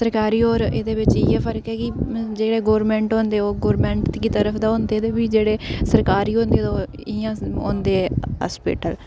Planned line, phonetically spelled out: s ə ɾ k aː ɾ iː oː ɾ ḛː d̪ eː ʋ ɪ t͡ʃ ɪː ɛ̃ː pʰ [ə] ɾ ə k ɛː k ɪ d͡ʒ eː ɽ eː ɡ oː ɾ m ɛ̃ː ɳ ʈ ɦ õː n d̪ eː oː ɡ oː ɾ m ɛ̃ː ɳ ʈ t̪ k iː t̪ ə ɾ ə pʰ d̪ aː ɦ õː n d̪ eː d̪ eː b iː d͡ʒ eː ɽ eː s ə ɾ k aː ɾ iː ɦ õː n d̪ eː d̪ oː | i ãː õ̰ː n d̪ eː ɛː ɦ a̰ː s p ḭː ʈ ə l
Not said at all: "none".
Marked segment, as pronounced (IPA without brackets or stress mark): ə